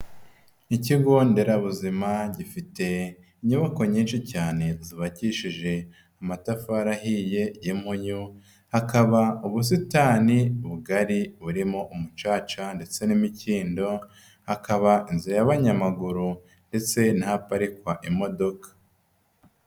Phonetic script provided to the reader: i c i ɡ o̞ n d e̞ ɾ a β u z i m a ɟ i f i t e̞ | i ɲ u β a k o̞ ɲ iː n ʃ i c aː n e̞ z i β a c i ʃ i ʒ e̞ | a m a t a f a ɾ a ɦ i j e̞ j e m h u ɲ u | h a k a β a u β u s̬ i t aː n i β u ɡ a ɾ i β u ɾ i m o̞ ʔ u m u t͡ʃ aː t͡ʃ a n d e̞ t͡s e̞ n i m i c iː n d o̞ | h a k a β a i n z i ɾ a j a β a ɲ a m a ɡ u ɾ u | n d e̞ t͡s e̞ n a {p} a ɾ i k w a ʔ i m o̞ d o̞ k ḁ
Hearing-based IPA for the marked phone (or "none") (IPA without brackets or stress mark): p